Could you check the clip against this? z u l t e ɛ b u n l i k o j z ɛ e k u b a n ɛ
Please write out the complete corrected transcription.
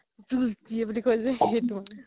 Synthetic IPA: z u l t i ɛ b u l i k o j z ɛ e t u m a n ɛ